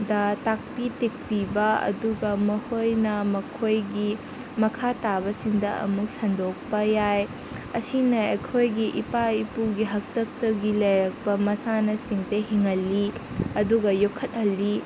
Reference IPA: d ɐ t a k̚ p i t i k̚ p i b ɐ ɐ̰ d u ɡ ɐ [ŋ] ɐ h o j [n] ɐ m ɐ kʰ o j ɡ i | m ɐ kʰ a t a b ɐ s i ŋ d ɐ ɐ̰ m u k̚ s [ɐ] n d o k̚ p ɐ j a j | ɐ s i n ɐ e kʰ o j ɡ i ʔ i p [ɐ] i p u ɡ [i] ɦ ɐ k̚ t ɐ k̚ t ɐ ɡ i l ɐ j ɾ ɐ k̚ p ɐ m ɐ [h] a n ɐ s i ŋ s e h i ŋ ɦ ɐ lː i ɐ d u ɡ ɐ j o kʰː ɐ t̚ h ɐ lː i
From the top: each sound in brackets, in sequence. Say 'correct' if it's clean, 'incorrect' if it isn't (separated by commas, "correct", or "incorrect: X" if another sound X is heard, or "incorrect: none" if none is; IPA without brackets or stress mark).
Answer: incorrect: m, correct, correct, incorrect: a, correct, incorrect: s